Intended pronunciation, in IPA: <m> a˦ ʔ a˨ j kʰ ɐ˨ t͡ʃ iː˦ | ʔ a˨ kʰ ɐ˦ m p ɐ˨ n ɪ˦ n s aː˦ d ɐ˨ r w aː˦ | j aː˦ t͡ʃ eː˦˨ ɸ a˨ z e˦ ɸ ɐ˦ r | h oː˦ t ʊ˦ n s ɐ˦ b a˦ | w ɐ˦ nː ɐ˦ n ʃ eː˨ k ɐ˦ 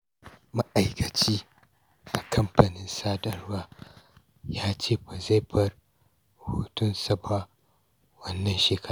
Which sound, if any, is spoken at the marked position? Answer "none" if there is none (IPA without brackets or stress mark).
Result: m